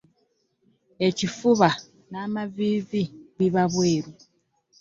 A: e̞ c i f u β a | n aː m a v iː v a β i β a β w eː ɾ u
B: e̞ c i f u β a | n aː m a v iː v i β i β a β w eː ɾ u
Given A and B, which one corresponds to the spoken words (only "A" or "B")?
B